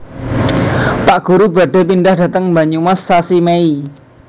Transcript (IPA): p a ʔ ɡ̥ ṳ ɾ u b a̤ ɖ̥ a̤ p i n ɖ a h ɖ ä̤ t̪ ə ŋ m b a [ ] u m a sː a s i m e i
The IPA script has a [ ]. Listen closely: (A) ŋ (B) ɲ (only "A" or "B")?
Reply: B